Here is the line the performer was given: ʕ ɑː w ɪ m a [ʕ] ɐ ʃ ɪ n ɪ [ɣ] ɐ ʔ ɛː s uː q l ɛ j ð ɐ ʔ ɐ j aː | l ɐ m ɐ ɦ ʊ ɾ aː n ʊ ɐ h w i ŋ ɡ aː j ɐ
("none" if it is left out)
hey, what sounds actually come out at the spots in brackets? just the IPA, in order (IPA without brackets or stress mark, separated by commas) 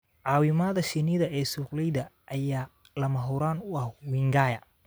ð, ð